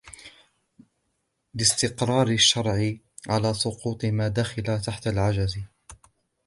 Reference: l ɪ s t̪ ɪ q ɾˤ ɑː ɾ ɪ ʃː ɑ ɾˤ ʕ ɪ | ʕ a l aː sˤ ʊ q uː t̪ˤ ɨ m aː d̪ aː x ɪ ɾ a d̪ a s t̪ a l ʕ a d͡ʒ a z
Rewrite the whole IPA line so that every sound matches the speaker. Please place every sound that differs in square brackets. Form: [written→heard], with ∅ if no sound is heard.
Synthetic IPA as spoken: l ɪ s t̪ ɪ q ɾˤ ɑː ɾ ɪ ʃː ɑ ɾˤ ʕ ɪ | ʕ a l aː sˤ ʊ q uː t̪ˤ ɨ m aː d̪ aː x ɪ [ɾ→l] a [d̪→t̪] a [s→ħ] t̪ a l ʕ a d͡ʒ a z